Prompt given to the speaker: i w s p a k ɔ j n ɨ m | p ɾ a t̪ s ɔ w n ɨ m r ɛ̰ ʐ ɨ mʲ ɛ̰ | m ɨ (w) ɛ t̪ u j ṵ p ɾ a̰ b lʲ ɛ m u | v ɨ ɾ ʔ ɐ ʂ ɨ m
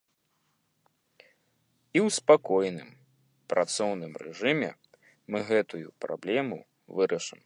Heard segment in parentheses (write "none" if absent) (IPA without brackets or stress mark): ɣ